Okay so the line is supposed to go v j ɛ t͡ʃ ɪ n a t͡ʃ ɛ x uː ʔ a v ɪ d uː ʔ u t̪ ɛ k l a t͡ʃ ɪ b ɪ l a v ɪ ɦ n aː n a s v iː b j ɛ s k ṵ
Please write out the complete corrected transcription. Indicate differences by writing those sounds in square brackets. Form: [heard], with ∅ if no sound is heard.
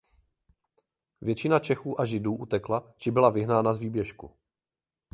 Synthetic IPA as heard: v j ɛ t͡ʃ ɪ n a t͡ʃ ɛ x uː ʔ a [ʒ] ɪ d uː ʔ u t̪ ɛ k l a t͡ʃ ɪ b ɪ l a v ɪ ɦ n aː n a [z] v iː b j ɛ [ʃ] k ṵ